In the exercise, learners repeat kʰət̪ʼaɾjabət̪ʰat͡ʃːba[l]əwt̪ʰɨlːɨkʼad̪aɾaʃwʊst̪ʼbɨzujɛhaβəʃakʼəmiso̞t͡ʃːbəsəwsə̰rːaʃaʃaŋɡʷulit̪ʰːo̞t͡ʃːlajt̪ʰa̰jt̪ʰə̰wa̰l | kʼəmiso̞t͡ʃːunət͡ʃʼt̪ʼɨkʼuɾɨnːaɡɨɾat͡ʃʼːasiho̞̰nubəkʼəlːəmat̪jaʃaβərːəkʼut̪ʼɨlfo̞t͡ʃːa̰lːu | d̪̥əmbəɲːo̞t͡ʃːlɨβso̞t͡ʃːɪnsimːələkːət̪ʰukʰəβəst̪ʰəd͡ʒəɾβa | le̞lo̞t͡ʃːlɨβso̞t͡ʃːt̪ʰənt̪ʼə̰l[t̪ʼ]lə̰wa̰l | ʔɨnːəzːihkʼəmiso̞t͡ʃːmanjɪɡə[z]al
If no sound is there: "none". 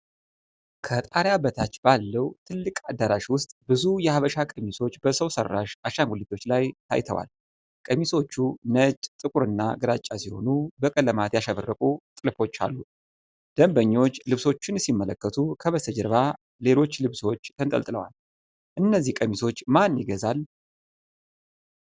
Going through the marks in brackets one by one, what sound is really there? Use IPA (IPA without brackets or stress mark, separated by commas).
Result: lː, t̪ʼ, z